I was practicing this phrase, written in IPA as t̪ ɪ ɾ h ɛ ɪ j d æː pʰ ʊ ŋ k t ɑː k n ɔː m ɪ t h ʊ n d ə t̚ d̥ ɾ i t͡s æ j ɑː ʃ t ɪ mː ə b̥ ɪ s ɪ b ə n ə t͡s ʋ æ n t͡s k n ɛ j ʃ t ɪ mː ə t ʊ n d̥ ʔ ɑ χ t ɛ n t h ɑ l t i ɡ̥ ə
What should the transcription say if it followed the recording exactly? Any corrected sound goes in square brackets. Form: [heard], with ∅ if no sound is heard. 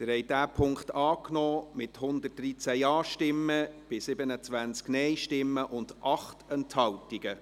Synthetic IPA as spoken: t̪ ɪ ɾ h ɛ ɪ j d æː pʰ ʊ ŋ k t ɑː k n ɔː m ɪ t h ʊ n d ə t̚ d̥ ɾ i t͡s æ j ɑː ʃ t ɪ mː ə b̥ ɪ s ɪ b ə n ə t͡s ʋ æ n t͡s k n ɛ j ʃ t ɪ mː ə [ʔ] ʊ n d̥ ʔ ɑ χ t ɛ n t h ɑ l t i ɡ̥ ə